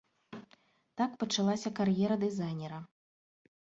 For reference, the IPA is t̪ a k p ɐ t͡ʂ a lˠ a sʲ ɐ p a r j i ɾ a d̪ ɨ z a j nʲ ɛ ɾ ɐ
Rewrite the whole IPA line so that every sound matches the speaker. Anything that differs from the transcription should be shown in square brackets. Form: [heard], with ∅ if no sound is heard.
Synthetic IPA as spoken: t̪ a k p ɐ t͡ʂ a lˠ a sʲ ɐ [k] a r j [ɛ] ɾ [ɐ] d̪ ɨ z a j nʲ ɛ ɾ ɐ